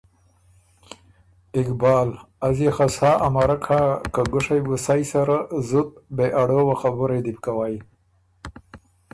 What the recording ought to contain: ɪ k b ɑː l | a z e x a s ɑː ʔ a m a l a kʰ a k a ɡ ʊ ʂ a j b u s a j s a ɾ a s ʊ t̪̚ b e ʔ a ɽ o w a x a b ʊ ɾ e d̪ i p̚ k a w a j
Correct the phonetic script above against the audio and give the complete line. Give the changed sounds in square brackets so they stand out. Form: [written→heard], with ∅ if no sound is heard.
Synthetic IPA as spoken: ɪ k b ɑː l | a z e x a s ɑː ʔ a m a [l→ɾ] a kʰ a k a ɡ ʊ ʂ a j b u s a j s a ɾ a [s→z] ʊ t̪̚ b e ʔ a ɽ o w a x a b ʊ ɾ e d̪ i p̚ k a w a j